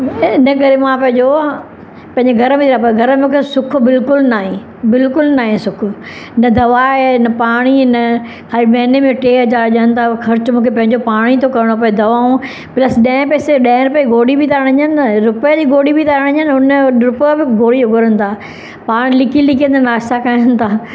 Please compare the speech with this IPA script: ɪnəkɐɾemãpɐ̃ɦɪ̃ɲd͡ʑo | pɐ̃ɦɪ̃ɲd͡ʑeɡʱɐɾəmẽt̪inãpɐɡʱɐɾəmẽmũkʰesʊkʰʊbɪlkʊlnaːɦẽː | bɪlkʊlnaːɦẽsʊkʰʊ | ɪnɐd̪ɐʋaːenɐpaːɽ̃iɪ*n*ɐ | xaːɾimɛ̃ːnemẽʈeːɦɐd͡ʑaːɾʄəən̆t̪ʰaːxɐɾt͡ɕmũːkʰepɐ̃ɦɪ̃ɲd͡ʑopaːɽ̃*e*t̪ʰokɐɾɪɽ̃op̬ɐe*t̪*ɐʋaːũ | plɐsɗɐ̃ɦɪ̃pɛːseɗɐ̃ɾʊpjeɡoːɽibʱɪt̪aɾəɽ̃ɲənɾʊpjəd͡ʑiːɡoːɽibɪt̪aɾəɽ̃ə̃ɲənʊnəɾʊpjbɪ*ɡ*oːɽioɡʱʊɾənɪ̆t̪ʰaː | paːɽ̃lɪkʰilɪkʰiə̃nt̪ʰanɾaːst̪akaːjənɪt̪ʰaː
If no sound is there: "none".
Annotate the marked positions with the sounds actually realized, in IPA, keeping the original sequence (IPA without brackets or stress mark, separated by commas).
n, i, d̪, ɡ